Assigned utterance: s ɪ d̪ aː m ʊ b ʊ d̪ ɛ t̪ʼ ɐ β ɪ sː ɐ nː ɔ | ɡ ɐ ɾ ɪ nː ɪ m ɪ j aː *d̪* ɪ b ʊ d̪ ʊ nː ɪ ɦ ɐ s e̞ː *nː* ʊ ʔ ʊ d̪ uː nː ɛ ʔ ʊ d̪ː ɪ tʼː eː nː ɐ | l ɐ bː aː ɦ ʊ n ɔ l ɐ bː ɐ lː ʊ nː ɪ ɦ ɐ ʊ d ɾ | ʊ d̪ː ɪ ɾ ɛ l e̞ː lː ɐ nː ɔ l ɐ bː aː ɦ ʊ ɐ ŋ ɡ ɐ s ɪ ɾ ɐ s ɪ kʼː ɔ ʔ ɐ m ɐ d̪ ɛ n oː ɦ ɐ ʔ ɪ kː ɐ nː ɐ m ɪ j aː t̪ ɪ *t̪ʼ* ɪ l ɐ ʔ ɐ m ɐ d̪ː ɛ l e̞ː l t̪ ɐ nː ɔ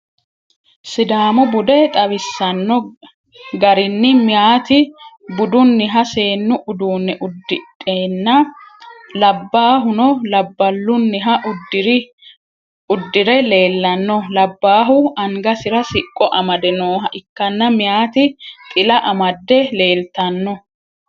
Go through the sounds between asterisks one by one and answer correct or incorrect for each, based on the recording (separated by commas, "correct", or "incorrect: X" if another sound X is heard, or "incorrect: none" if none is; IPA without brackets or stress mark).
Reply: incorrect: t̪, correct, correct